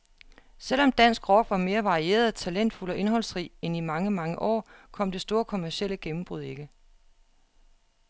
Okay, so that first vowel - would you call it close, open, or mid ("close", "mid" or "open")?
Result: mid